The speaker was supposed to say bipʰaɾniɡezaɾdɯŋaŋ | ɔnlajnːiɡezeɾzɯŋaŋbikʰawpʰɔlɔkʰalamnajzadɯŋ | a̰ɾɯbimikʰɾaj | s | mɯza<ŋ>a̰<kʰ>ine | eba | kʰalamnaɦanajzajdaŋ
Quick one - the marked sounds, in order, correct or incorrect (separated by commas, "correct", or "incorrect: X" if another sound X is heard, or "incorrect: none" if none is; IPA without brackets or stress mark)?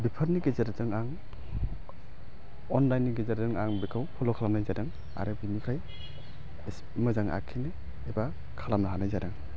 correct, correct